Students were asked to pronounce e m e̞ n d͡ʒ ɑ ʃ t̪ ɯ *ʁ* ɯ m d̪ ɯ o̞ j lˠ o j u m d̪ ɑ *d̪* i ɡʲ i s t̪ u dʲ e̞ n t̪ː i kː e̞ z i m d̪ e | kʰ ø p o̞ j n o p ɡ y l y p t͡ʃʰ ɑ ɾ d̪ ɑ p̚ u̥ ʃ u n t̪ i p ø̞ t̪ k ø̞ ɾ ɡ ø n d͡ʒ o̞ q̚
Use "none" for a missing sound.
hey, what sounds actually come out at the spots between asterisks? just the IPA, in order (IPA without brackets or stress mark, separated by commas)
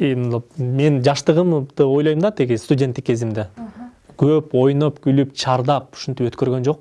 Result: ʁ, t̪